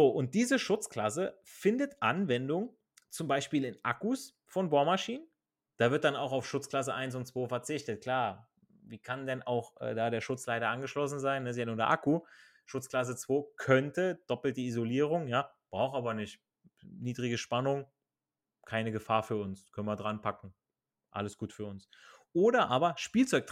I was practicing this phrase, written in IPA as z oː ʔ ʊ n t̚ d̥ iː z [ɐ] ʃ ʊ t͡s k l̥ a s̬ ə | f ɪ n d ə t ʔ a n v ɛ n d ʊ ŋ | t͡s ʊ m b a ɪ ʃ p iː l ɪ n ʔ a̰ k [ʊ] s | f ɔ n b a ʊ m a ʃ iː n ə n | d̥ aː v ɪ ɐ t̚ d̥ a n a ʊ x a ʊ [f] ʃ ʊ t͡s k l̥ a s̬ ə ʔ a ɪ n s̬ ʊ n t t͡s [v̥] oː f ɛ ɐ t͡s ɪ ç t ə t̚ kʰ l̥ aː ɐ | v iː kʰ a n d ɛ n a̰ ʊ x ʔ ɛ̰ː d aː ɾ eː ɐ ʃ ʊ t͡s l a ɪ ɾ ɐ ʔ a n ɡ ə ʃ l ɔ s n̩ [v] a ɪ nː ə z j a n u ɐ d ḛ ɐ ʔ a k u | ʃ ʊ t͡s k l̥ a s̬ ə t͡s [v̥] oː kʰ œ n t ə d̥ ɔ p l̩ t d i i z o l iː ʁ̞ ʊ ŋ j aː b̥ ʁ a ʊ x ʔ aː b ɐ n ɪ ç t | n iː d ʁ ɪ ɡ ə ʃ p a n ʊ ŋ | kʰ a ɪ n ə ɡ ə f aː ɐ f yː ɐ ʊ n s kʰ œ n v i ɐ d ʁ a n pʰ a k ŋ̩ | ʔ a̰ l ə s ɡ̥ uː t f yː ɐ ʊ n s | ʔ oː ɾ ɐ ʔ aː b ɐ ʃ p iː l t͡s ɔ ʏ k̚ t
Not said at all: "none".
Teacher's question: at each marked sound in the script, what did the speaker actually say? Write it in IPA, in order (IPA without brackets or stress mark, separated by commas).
ə, u, f, v̥, z, v̥